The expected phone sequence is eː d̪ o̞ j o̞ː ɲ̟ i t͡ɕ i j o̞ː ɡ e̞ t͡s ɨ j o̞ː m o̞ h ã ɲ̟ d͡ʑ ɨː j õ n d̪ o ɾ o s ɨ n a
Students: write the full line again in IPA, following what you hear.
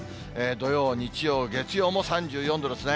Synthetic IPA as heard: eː d̪ o̞ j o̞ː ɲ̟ i t͡ɕ i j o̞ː ɡ e̞ t͡s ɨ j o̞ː m o̞ s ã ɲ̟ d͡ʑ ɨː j õ n d̪ o ɾ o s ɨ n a